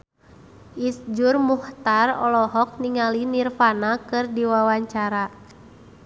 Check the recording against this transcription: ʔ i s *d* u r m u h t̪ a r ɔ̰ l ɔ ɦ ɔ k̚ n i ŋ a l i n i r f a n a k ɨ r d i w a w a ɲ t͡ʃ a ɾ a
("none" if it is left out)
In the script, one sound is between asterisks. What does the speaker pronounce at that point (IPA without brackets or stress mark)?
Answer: d͡ʒ